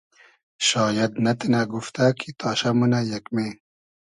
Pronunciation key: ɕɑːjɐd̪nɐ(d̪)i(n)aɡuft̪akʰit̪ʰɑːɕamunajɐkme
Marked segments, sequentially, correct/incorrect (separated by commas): incorrect, correct